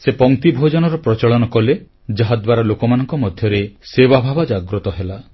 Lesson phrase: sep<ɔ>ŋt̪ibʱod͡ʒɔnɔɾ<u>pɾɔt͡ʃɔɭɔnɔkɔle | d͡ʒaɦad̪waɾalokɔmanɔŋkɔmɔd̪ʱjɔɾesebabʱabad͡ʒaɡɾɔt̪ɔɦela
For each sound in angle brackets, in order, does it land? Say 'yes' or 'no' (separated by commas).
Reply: yes, no